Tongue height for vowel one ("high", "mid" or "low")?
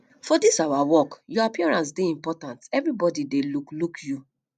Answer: mid